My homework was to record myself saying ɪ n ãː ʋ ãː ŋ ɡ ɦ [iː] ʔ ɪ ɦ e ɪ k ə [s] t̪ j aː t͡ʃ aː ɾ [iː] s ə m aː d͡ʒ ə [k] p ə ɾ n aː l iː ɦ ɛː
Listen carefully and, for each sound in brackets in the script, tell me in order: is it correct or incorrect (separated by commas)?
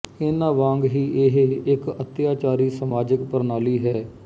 correct, incorrect, correct, correct